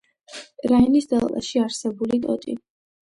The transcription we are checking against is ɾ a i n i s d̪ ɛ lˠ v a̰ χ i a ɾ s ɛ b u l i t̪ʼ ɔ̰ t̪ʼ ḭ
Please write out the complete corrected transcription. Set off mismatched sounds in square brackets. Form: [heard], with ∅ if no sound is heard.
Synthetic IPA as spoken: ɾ a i n i s d̪ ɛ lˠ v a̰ [ʃ] i a ɾ s ɛ b u l i t̪ʼ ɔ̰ t̪ʼ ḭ